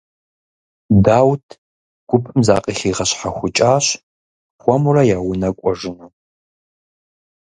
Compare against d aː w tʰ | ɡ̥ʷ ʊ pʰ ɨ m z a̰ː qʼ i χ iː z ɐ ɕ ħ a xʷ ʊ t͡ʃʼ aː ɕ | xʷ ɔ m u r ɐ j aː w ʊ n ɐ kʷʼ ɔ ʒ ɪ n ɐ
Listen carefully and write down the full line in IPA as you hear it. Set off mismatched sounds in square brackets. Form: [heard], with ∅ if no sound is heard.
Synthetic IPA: d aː w tʰ | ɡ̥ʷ ʊ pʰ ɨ m z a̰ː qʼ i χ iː [ʁ] ɐ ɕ ħ a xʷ ʊ t͡ʃʼ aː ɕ | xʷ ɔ m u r ɐ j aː w ʊ n ɐ kʷʼ ɔ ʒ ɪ n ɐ